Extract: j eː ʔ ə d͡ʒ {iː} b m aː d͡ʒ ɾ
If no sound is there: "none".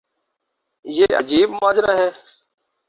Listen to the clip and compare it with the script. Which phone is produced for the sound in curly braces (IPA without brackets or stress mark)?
iː